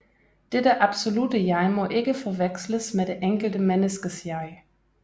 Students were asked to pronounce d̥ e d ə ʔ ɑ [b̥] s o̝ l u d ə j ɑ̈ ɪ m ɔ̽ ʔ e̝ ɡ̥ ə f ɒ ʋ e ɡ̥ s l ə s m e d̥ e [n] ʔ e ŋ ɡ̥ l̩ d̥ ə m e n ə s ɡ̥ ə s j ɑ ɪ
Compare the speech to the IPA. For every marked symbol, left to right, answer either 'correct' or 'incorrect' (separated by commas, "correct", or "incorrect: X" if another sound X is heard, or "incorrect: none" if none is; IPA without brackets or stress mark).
correct, incorrect: none